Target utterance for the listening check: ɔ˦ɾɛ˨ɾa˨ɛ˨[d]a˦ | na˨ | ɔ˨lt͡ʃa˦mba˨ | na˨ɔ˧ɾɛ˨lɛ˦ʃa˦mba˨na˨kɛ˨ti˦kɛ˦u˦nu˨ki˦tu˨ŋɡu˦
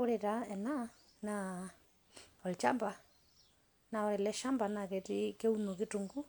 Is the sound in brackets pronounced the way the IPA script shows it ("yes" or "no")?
no